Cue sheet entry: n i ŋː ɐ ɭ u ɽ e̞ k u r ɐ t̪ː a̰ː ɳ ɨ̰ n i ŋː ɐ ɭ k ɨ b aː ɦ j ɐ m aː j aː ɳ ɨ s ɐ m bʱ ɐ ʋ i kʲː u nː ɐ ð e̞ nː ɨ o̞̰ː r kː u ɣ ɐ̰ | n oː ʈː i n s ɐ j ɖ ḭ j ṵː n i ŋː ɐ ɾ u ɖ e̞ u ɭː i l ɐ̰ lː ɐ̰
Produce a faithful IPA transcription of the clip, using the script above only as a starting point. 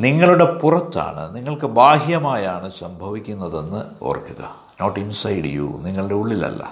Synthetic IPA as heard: n i ŋː ɐ ɭ u ɽ e̞ p u r ɐ t̪ː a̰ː ɳ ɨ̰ n i ŋː ɐ ɭ k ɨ b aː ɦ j ɐ m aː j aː ɳ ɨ s ɐ m bʱ ɐ ʋ i kʲː u nː ɐ ð e̞ nː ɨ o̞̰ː r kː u ɣ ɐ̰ | n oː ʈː i n s ɐ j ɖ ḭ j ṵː n i ŋː ɐ ɭ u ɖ e̞ u ɭː i l ɐ̰ lː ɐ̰